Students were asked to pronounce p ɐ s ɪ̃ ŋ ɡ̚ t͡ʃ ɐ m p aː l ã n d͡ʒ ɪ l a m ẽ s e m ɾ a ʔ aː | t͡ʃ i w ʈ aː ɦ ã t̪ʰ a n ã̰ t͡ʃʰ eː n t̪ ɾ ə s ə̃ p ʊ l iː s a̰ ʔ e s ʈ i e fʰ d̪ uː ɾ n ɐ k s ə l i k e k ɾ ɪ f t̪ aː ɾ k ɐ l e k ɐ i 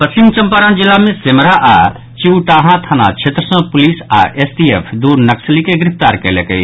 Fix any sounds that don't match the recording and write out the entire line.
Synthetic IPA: p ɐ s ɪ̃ ŋ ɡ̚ t͡ʃ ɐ m p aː ɾ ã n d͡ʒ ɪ l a m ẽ s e m ɾ a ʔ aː | t͡ʃ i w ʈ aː ɦ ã t̪ʰ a n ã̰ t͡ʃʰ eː t̪ ɾ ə s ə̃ p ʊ l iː s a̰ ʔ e s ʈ i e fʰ d̪ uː ɾ n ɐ k s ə l i k e ɡ ɾ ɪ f t̪ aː ɾ k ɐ l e k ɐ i